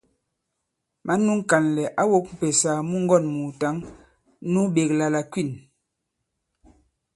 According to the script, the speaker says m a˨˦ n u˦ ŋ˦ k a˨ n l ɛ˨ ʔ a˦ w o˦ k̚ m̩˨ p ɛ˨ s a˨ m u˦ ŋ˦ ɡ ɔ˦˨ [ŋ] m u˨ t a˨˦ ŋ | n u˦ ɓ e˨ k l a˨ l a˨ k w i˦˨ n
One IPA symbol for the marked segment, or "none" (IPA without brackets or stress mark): n